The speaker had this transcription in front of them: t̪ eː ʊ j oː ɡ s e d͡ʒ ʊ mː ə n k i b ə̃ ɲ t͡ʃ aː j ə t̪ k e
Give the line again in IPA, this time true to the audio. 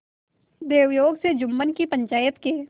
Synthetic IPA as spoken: d̪ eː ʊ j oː ɡ s e d͡ʒ ʊ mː ə n k i p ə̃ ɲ t͡ʃ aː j ə t̪ k e